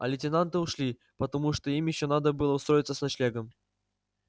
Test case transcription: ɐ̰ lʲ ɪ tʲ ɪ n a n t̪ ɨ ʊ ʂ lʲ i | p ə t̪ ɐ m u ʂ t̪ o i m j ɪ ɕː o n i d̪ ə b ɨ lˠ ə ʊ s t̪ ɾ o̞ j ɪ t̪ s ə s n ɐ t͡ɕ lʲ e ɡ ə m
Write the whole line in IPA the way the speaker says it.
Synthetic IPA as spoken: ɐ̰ lʲ ɪ tʲ ɪ n a n t̪ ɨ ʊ ʂ lʲ i | p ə t̪ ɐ m u ʂ t̪ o i m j ɪ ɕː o n a d̪ ə b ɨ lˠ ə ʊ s t̪ ɾ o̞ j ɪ t̪ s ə s n ɐ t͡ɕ lʲ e ɡ ə m